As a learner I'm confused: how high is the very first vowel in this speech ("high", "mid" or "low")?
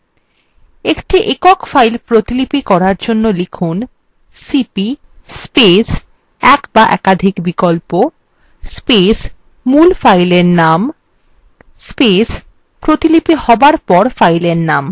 mid